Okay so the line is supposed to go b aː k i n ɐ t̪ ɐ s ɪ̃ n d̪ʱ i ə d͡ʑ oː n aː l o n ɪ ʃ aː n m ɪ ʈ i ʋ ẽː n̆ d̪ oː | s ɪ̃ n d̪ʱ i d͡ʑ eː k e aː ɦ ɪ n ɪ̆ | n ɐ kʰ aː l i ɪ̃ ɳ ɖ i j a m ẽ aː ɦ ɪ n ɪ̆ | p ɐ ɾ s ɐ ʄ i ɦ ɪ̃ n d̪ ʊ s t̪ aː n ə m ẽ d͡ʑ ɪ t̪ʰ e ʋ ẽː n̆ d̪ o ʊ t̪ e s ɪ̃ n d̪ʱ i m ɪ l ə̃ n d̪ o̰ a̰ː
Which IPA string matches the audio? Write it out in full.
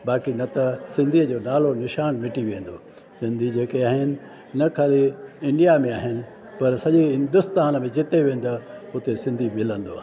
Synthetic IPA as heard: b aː k i n ɐ t̪ ɐ s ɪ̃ n d̪ʱ i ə d͡ʑ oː n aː l o n ɪ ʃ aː n m ɪ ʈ i ʋ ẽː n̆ d̪ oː | s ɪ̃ n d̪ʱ i d͡ʑ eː k e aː ɦ ɪ n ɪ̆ | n ɐ kʰ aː l i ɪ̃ ɳ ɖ i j a m ẽ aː ɦ ɪ n ɪ̆ | p ɐ ɾ s ɐ ʄ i ɦ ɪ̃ n d̪ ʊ s t̪ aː n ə m ẽ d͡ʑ ɪ t̪ e ʋ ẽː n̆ d̪ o ʊ t̪ e s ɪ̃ n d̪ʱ i m ɪ l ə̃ n d̪ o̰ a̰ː